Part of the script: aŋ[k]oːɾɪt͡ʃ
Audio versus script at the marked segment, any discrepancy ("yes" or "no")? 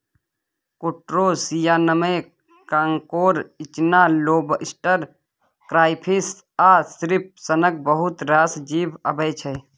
no